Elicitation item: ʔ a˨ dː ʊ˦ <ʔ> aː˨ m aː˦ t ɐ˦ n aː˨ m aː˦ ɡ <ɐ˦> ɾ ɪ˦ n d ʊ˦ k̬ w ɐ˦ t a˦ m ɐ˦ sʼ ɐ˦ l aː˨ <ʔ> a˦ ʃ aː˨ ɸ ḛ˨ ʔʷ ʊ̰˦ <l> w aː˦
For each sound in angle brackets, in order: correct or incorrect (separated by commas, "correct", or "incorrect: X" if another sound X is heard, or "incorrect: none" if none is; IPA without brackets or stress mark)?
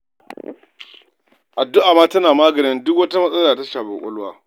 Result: correct, incorrect: ɐ˨, incorrect: t, correct